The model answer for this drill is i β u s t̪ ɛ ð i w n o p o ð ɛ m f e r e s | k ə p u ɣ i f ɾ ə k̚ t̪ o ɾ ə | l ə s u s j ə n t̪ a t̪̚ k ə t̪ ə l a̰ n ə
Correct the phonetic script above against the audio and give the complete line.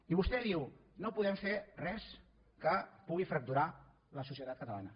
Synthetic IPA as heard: i β u s t̪ ɛ ð i w n o p u ð ɛ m f e r ɛ s | k ə p u ɣ i f ɾ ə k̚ t̪ u ɾ a | l ə s u s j ə t̪ a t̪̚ k ə t̪ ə l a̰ n ə